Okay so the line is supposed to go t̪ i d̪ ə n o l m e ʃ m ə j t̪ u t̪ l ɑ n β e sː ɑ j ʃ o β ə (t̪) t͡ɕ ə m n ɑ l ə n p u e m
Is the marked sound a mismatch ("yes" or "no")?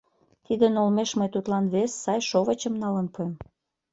yes